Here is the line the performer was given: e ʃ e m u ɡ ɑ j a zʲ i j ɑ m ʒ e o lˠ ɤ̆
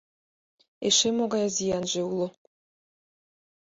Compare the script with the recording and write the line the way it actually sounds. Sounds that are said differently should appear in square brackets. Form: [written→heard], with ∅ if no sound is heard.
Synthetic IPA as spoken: e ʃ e m [u→o] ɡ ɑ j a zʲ i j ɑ [m→n] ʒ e [o→u] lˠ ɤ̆